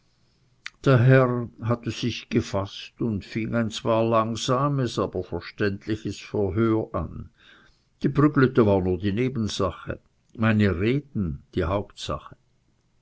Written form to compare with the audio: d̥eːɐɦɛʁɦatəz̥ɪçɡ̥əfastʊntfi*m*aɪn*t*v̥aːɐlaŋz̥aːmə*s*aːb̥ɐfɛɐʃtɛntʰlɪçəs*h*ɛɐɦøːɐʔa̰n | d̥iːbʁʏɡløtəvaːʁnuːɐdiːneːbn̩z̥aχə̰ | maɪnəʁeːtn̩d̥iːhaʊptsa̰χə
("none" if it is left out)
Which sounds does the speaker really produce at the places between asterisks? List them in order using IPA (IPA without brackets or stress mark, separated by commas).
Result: ŋ, t͡s, s, f